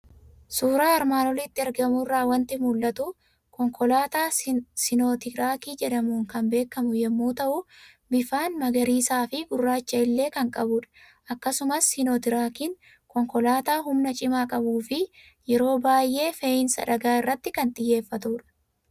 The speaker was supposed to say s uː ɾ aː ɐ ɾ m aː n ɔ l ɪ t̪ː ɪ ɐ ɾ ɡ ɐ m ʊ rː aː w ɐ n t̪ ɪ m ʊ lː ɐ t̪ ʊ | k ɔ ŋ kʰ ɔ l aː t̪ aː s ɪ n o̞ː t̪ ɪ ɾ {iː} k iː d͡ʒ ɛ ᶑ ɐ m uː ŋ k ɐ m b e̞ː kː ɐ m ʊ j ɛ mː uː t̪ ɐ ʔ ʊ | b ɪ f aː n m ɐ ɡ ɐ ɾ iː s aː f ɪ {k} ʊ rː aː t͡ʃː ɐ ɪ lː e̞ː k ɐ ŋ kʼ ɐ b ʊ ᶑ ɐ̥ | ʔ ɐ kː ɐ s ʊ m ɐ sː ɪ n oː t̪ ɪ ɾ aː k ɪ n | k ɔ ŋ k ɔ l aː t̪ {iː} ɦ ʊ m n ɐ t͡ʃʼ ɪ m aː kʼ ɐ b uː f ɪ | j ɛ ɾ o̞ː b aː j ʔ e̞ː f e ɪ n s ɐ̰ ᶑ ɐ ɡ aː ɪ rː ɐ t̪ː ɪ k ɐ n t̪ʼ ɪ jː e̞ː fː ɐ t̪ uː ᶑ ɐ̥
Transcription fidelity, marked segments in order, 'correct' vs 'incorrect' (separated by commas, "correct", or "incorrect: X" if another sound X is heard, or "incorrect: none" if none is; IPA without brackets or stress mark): incorrect: aː, incorrect: ɡ, incorrect: aː